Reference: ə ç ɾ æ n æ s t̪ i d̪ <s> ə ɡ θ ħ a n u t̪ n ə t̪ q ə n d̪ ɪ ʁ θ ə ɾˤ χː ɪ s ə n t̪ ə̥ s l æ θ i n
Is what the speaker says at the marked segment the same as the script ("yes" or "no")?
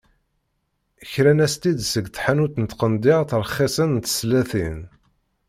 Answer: yes